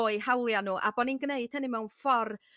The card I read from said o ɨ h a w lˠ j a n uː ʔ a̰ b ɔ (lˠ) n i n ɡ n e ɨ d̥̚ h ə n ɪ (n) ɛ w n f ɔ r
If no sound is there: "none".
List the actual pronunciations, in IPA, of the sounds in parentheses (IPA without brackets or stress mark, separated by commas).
none, m